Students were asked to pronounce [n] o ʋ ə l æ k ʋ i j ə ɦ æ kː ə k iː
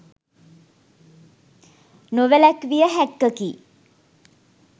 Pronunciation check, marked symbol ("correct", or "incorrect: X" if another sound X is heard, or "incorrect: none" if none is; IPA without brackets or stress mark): correct